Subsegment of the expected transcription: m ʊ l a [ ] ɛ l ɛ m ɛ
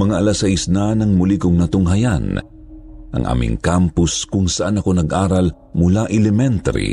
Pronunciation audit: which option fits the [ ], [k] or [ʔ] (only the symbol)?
ʔ